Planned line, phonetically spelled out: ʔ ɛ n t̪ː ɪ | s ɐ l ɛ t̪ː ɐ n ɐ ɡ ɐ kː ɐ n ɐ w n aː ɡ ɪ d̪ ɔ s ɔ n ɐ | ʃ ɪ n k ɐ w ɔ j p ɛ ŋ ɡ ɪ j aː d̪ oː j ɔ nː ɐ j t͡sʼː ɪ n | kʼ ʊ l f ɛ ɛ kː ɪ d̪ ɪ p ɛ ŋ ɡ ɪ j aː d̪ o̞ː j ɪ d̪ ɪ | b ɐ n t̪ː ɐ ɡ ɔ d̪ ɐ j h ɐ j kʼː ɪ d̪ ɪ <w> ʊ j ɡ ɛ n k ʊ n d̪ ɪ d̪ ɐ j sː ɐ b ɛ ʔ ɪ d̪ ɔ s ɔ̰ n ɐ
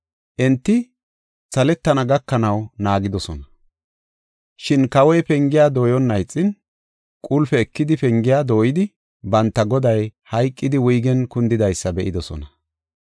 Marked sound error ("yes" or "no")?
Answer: no